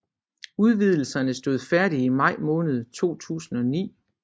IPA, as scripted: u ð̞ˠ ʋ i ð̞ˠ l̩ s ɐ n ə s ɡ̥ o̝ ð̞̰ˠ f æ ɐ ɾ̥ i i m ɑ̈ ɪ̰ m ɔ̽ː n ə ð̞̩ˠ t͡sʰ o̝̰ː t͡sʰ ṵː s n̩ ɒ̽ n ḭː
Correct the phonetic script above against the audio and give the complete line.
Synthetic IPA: u ð̞ˠ ʋ i ð̞ˠ l̩ s ɐ n ə s d̥ o̝ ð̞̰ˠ f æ ɐ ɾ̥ i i m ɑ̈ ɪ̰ m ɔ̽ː n ə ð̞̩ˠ t͡sʰ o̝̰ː t͡sʰ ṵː s n̩ ɒ̽ n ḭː